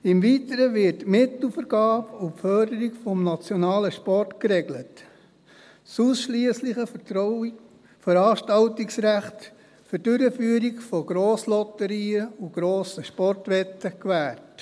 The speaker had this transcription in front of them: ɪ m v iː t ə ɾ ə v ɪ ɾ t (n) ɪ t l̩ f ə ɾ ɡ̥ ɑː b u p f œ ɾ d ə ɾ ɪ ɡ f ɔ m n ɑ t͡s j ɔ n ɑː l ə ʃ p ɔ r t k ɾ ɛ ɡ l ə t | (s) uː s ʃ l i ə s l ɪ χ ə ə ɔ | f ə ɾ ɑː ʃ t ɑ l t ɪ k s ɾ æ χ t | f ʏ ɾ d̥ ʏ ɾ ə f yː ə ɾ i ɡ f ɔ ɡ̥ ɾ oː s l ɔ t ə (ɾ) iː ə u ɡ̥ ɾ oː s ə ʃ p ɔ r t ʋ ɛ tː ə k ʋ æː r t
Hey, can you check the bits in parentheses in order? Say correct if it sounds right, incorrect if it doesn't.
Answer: incorrect: m, correct, correct

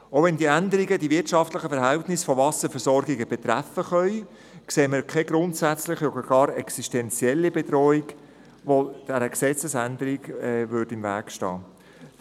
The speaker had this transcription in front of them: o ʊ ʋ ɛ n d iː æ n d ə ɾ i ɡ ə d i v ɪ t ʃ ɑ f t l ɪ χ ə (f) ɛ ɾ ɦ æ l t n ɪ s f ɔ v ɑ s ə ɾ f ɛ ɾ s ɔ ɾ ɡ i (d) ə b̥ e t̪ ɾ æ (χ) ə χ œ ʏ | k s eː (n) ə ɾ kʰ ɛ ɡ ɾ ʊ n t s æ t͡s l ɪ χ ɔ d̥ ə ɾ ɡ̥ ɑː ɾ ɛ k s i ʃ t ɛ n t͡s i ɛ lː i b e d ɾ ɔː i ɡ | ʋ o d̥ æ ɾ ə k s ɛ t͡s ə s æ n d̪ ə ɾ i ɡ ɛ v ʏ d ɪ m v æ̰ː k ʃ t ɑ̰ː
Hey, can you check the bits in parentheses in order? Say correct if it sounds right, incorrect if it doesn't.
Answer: correct, incorrect: ɡ, incorrect: f, incorrect: m

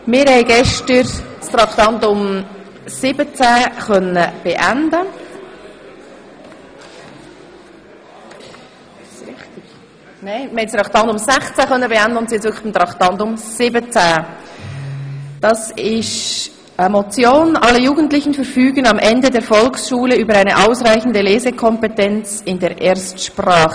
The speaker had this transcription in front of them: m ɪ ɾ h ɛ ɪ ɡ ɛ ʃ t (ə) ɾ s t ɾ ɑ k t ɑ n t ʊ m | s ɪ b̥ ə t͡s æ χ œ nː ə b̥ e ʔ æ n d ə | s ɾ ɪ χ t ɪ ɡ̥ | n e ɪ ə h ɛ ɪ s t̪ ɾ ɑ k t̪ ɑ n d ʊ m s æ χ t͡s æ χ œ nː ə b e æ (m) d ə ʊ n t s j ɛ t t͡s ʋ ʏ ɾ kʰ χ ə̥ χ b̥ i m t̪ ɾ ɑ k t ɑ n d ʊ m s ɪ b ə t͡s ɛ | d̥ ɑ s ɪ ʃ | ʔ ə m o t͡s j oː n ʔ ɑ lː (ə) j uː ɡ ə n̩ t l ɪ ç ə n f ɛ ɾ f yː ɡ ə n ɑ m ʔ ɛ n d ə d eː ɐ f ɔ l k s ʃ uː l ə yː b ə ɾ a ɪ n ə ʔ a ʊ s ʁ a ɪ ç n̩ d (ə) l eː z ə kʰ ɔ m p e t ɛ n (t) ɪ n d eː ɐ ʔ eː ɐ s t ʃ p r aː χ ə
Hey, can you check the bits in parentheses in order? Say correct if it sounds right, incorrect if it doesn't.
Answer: correct, incorrect: n, correct, correct, incorrect: t͡s

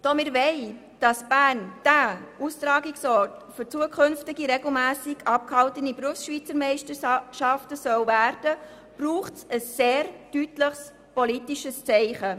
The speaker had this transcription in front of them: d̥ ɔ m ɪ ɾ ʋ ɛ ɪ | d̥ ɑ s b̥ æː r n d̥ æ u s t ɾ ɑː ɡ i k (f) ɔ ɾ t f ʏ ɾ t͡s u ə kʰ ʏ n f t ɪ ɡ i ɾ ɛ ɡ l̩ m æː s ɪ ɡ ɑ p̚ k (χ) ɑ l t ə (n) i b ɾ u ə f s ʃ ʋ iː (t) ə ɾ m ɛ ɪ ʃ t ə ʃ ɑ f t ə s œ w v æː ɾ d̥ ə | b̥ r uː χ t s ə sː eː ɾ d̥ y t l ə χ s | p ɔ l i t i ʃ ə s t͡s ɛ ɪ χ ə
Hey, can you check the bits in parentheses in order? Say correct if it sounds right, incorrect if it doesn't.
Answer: incorrect: s, incorrect: h, correct, incorrect: t͡s

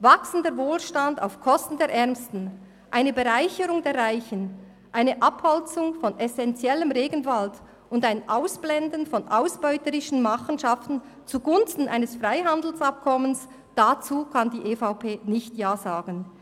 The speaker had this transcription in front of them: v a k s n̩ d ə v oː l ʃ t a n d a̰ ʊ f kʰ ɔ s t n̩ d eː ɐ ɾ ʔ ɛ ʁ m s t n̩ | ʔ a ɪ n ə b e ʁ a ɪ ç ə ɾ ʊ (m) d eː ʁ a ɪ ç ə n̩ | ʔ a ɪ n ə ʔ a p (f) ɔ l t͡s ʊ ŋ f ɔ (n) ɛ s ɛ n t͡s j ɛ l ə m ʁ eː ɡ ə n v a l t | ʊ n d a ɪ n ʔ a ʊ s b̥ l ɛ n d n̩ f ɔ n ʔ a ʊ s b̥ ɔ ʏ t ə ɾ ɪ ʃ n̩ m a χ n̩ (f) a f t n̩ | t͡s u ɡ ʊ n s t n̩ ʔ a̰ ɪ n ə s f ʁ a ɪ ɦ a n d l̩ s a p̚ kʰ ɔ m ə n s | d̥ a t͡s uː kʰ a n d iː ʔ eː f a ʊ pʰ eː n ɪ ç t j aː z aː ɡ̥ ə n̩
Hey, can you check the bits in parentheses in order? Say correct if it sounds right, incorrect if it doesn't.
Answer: incorrect: ŋ, incorrect: h, correct, incorrect: ʃ

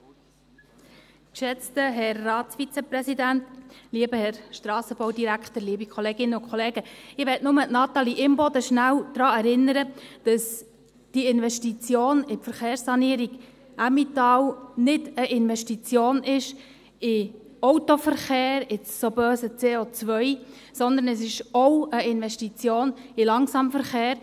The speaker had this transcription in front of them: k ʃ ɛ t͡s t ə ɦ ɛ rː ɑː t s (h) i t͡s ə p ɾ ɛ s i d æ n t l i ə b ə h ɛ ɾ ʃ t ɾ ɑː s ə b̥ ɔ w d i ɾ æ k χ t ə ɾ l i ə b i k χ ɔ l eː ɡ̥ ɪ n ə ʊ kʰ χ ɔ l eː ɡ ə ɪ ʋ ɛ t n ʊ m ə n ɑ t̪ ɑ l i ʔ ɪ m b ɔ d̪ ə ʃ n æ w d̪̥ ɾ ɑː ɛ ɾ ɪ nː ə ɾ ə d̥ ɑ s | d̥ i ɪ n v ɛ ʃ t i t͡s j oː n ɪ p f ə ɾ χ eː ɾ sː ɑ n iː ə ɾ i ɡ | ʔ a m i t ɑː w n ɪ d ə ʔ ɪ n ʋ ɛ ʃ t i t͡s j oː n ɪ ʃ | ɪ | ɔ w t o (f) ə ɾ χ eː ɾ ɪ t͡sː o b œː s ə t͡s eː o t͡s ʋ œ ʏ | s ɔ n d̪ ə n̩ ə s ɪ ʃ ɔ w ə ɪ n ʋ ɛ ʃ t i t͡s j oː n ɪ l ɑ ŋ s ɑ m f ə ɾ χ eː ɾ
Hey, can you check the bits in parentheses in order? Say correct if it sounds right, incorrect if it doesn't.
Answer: incorrect: f, correct

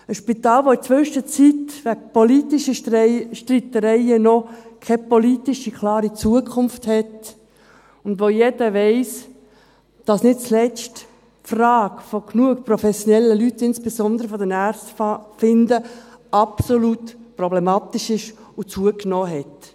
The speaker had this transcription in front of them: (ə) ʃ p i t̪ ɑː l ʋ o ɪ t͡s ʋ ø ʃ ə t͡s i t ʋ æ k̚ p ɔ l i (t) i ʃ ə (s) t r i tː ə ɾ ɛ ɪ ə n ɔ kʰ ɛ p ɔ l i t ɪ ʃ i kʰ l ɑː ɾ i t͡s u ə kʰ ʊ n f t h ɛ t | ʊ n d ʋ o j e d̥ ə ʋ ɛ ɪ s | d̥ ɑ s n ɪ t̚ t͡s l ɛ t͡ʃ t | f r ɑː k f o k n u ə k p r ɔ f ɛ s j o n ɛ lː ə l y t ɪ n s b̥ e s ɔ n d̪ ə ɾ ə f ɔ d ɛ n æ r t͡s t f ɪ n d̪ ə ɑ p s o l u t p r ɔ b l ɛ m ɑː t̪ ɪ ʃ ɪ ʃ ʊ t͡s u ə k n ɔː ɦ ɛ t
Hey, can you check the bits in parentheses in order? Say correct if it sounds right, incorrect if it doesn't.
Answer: correct, correct, incorrect: ʃ

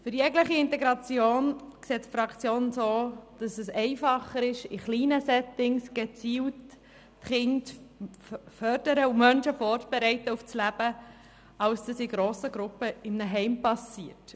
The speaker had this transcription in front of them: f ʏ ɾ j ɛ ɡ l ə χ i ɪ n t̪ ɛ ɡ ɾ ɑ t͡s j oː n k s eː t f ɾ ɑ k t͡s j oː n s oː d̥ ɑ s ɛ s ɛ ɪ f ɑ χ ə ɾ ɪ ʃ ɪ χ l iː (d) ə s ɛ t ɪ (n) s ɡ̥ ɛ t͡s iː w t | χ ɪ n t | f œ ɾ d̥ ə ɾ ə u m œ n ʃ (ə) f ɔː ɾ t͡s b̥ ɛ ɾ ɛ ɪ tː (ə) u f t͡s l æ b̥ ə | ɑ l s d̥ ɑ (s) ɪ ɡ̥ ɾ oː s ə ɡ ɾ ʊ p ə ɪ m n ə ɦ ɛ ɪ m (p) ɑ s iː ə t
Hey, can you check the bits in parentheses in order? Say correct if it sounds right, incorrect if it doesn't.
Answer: incorrect: n, incorrect: ŋ, correct, correct, correct, correct

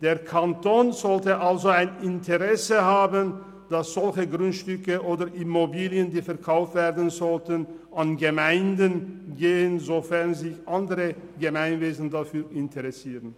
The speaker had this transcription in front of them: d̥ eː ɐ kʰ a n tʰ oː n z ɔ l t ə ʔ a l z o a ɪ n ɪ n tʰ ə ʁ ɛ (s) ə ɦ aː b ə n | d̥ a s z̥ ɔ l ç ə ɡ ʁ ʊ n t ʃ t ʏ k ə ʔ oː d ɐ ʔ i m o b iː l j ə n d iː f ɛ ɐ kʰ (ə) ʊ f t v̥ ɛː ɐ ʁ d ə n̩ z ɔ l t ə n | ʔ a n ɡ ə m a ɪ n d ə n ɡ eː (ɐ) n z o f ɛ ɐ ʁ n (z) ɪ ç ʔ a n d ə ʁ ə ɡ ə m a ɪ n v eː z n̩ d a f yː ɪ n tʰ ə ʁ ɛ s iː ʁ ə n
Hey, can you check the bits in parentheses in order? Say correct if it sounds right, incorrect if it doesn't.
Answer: correct, incorrect: a, incorrect: ə, correct

